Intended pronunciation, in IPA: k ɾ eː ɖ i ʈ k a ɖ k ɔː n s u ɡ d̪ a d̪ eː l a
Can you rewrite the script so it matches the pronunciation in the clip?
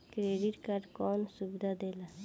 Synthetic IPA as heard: k ɾ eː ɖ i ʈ k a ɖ k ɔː n s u b d̪ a d̪ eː l a